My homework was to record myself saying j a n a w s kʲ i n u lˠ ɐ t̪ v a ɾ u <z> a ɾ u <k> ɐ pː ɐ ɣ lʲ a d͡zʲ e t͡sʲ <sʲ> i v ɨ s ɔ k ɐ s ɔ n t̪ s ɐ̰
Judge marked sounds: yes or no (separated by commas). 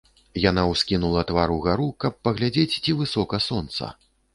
no, yes, no